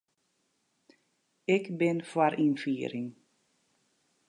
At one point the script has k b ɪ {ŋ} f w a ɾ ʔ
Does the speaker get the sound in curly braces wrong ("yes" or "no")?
yes